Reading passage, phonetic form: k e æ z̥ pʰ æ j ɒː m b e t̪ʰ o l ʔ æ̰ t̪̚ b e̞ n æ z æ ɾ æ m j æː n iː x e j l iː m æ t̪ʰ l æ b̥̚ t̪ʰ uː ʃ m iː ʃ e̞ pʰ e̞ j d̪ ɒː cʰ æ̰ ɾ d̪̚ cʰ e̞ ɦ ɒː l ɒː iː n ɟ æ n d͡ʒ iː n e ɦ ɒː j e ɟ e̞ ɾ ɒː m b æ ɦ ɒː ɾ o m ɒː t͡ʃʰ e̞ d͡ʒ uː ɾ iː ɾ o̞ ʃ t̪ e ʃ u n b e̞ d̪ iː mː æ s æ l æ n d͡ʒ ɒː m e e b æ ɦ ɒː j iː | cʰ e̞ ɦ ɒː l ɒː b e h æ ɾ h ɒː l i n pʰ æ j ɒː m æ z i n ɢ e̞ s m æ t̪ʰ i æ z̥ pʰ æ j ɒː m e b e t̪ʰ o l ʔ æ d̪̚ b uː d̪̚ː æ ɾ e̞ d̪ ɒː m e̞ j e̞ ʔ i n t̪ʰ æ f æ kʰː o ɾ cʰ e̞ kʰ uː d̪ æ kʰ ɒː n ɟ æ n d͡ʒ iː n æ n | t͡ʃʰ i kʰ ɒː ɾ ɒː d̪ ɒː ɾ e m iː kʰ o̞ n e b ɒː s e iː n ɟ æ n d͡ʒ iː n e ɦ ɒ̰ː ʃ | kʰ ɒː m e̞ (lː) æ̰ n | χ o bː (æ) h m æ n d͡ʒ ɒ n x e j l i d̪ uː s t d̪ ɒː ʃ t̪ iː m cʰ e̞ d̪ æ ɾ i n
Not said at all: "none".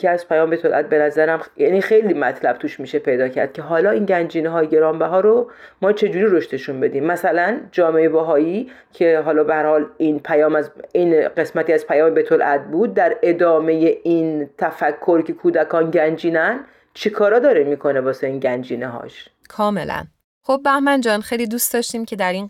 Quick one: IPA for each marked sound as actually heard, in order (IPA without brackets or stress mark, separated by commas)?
l, æ